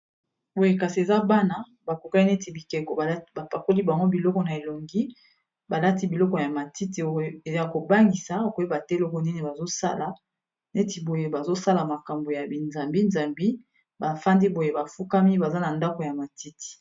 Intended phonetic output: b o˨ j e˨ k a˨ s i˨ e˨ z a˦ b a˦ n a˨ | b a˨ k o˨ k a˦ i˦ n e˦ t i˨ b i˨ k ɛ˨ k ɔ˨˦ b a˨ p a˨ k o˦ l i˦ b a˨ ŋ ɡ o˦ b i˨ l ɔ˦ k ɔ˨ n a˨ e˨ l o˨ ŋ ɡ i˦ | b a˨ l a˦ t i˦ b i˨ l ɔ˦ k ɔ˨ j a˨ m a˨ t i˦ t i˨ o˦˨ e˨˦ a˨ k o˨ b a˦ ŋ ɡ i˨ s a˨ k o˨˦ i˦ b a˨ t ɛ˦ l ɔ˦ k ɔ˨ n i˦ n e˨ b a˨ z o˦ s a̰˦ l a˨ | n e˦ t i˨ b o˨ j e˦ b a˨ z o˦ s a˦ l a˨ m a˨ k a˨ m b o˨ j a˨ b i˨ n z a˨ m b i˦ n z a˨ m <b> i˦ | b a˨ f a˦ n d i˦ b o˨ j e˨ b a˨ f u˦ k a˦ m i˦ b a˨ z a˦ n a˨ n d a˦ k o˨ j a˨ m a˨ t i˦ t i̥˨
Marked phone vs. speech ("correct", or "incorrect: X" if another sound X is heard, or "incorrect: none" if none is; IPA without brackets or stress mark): correct